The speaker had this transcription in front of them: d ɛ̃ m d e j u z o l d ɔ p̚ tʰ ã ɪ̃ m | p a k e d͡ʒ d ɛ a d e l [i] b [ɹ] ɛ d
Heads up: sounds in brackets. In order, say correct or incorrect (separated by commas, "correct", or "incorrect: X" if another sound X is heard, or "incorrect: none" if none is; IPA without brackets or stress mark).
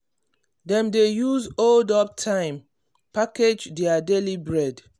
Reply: correct, correct